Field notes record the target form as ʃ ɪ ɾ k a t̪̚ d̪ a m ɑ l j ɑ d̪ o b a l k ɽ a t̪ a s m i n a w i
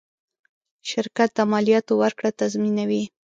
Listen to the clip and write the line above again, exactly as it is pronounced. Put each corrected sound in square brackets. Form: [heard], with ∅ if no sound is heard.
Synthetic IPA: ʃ ɪ ɾ k a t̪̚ d̪ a m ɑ l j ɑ [t̪] o [w] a [ɾ] k ɽ a t̪ a [z] m i n a w i